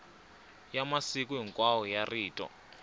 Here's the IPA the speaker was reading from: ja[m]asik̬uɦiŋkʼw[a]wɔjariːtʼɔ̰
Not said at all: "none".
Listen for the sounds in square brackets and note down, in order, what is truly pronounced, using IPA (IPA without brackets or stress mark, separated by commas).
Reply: m, a